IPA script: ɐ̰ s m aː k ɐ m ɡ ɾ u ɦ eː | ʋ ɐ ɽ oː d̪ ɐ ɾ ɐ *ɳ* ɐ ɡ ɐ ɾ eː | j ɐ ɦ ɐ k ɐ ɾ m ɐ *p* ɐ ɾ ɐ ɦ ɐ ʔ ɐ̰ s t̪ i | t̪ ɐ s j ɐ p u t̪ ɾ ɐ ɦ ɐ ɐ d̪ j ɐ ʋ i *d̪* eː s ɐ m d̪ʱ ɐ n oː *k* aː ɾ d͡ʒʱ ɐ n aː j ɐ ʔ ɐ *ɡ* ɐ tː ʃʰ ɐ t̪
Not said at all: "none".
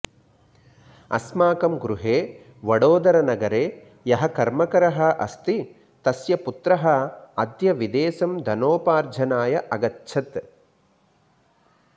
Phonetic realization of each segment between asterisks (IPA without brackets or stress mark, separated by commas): n, k, d̪, p, ɡ